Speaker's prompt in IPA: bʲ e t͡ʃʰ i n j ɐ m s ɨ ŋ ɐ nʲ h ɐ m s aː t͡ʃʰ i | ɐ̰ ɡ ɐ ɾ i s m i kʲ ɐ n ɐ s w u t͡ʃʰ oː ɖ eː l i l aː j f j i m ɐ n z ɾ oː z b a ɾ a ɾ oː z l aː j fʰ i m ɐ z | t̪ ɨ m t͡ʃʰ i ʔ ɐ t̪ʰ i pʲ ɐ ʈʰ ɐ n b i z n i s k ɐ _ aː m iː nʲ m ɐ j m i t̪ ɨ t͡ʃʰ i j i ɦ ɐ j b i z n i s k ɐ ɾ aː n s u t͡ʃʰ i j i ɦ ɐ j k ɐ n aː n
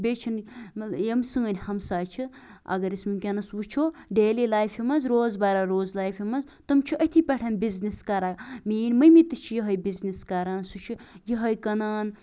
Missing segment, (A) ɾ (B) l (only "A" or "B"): A